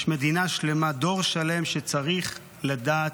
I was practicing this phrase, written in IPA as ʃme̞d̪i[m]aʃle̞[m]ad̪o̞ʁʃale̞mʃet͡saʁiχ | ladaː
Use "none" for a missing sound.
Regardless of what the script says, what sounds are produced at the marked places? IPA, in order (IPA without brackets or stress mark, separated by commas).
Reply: n, m